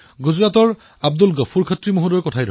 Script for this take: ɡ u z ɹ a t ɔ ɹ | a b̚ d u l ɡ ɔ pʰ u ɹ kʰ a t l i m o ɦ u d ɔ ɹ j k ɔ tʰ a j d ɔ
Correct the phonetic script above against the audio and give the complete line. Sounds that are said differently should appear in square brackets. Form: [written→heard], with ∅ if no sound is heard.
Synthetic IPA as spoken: ɡ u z ɹ a t ɔ ɹ | a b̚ d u l ɡ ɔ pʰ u ɹ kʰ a t [l→ɹ] i m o ɦ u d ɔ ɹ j k ɔ tʰ a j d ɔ